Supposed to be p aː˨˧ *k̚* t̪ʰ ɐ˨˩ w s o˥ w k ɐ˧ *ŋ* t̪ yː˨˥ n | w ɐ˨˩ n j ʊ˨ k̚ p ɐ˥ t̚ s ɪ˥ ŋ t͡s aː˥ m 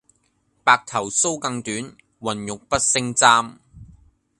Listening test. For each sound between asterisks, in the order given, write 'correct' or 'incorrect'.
correct, correct

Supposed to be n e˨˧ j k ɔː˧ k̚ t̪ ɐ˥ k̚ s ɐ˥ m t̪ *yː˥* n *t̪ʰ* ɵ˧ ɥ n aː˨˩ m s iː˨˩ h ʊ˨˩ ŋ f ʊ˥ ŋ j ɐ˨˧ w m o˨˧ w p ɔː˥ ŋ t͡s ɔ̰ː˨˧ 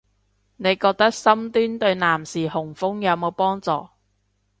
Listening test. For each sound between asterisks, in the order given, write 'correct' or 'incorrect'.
correct, incorrect

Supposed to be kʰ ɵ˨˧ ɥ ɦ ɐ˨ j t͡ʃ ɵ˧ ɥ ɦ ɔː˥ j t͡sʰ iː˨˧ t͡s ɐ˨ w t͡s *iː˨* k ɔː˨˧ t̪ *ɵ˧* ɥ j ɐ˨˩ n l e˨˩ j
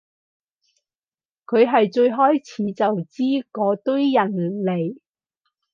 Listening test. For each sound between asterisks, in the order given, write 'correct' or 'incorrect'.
incorrect, incorrect

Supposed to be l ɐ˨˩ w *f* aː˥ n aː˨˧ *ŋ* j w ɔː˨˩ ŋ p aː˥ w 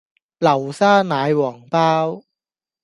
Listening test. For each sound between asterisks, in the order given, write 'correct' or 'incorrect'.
incorrect, incorrect

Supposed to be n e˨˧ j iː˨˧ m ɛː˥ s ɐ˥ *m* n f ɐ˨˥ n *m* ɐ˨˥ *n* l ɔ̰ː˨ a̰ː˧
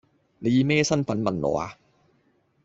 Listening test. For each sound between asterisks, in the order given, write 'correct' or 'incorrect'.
incorrect, correct, correct

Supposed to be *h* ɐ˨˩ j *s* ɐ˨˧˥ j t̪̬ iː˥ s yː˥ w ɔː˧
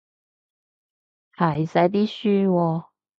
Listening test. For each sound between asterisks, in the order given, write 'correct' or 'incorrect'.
correct, correct

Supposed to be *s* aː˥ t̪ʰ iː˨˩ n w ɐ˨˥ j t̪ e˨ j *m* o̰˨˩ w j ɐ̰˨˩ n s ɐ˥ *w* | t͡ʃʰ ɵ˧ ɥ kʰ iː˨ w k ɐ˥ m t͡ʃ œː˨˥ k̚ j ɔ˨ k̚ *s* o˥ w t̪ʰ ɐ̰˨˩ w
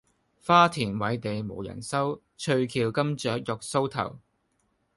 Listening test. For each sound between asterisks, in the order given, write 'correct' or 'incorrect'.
incorrect, correct, correct, correct

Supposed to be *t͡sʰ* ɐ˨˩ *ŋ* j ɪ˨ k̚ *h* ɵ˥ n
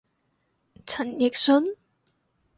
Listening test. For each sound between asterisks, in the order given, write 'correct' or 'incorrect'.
correct, incorrect, incorrect

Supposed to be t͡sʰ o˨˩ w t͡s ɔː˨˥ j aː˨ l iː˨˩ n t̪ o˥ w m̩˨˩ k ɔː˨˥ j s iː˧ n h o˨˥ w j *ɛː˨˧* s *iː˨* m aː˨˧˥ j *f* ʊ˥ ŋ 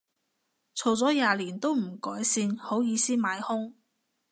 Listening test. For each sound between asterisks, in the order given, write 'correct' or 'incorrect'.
incorrect, incorrect, incorrect

